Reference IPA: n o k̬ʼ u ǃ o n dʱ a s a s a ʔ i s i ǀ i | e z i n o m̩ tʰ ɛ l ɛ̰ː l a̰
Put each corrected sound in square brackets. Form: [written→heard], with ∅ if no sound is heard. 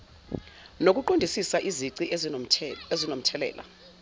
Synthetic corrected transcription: n o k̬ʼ u ǃ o n dʱ [a→i] s [a→i] s a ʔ i [s→z] i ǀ i | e z i n o m̩ tʰ ɛ l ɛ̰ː l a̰